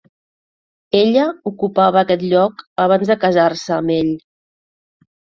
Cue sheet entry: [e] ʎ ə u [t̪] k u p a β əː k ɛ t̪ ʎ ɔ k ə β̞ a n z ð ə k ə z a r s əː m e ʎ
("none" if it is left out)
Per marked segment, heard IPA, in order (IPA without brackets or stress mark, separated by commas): e, none